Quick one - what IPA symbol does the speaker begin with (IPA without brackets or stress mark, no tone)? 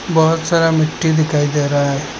b